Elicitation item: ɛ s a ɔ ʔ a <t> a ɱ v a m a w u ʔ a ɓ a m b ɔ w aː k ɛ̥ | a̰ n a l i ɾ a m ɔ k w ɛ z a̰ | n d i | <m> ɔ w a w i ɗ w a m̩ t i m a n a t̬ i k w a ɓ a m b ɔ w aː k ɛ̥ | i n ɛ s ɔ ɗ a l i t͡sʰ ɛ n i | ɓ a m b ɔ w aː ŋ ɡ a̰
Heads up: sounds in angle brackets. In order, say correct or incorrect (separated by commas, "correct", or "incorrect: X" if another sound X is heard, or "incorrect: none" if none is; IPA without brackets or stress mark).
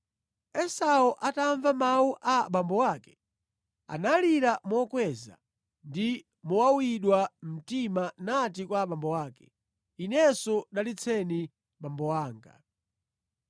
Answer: correct, correct